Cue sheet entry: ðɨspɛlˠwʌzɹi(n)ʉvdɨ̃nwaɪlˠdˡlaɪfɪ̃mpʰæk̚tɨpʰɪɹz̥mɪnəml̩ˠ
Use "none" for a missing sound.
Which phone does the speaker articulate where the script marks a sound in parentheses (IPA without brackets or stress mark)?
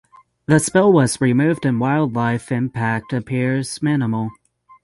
m